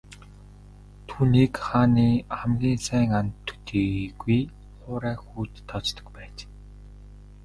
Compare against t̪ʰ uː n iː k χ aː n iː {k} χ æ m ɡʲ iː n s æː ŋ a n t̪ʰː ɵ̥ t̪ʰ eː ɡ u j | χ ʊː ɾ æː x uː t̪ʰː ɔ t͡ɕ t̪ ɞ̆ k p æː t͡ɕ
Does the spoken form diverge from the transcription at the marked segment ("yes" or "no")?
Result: yes